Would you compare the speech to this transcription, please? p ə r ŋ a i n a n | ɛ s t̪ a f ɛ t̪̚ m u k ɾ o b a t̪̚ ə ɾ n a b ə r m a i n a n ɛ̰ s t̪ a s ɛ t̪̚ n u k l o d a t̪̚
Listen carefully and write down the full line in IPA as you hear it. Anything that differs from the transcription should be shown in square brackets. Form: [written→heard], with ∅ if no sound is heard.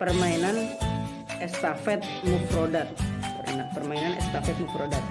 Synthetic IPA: p ə r [ŋ→m] a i n a n | ɛ s t̪ a f ɛ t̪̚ m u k ɾ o [b→d] a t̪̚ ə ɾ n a [b→p] ə r m a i n a n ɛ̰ s t̪ a [s→f] ɛ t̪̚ [n→m] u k [l→ɾ] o d a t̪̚